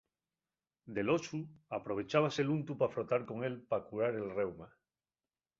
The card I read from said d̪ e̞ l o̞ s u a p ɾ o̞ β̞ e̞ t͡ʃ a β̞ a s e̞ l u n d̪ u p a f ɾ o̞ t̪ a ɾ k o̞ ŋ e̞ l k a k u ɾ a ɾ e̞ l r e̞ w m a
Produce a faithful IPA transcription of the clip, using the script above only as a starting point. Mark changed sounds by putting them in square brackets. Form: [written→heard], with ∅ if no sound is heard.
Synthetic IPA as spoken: d̪ e̞ l o̞ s u a p ɾ o̞ β̞ e̞ t͡ʃ a β̞ a s e̞ l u n [d̪→t̪] u p a f ɾ o̞ t̪ a ɾ k o̞ ŋ e̞ l [k→p] a k u ɾ a ɾ e̞ l r e̞ w m a